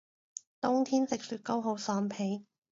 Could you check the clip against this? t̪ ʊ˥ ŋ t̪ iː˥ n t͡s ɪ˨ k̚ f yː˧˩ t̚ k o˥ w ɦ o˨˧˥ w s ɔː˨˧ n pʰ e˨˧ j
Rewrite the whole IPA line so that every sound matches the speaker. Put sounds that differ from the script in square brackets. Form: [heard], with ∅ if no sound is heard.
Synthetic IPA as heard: t̪ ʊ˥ ŋ [t̪ʰ] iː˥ n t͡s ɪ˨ k̚ [s] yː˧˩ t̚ k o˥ w ɦ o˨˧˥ w s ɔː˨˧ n pʰ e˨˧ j